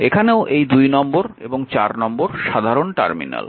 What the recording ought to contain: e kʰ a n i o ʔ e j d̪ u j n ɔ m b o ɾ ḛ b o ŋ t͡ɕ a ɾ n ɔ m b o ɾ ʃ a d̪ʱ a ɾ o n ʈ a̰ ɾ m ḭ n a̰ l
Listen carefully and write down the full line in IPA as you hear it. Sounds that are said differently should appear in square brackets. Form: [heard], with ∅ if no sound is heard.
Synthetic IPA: e kʰ a n [e] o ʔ e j d̪ u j n ɔ m b o ɾ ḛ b o ŋ t͡ɕ a ɾ n ɔ m b o ɾ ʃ a d̪ʱ a ɾ o n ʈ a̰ ɾ m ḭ n a̰ l